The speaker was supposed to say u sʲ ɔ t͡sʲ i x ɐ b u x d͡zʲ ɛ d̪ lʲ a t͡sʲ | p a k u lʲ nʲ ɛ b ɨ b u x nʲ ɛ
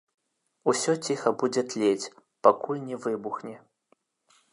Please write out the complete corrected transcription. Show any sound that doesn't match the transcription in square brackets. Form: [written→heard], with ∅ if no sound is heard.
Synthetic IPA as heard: u sʲ ɔ t͡sʲ i x ɐ b u [x→∅] d͡zʲ ɛ [d̪→t̪] lʲ [a→e] t͡sʲ | p a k u lʲ nʲ ɛ [b→v] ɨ b u x nʲ ɛ